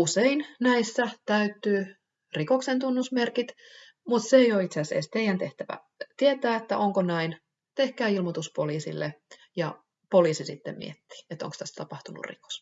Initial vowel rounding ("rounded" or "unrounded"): rounded